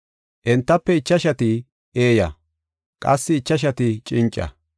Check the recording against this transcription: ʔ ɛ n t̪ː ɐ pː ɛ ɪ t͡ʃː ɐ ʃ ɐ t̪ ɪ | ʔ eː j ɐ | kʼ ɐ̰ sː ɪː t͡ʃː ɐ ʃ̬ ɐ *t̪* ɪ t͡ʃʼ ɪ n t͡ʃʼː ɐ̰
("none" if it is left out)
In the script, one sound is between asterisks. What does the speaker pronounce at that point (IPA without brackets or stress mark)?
t̪